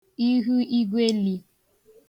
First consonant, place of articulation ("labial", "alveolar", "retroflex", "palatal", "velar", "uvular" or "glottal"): glottal